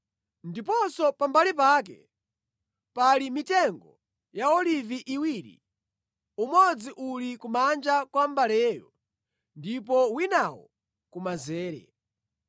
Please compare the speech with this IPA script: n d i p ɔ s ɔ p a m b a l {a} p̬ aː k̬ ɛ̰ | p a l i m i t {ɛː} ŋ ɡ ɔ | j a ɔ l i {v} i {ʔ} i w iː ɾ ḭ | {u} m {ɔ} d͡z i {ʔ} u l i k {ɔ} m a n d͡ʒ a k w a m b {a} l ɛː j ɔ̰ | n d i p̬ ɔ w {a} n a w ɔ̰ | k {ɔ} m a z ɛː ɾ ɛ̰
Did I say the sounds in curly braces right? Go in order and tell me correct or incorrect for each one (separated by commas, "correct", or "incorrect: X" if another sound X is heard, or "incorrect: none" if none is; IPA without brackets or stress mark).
incorrect: i, incorrect: ɛ, correct, correct, correct, correct, correct, incorrect: u, correct, incorrect: i, incorrect: u